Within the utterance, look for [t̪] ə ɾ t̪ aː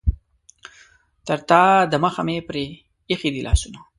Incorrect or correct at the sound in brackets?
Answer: correct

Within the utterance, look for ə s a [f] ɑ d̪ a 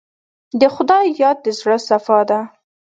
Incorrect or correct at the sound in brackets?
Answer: correct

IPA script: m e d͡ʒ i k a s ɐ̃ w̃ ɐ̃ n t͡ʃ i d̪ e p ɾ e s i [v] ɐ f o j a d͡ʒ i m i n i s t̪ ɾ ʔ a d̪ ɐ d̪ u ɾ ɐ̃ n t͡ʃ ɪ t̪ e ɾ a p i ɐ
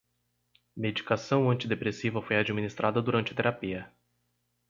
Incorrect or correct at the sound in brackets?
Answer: correct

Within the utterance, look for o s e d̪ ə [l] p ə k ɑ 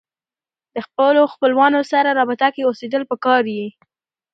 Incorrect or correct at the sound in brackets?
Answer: correct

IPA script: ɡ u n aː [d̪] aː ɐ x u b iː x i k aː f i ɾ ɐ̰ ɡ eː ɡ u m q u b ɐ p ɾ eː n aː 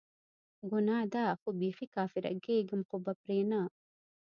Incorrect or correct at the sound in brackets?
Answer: correct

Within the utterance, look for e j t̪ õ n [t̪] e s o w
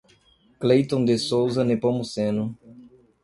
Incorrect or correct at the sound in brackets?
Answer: incorrect: d̪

